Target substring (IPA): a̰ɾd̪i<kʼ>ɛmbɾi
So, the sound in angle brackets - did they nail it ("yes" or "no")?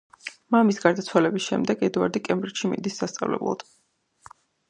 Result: yes